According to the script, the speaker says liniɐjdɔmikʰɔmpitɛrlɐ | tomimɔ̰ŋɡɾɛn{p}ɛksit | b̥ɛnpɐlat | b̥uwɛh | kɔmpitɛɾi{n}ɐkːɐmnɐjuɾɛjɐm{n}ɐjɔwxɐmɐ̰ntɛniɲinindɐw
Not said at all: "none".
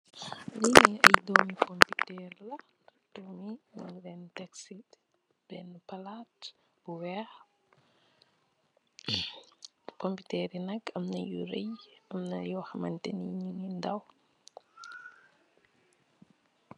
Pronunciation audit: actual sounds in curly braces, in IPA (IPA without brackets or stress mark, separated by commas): t, n, n